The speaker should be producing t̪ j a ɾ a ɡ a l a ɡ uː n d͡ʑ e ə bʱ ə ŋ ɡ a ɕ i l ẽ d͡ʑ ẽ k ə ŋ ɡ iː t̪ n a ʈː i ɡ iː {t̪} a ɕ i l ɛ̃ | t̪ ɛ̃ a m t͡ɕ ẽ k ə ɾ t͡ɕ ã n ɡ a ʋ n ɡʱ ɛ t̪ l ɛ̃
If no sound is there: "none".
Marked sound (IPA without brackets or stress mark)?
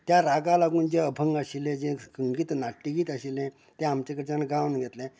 t̪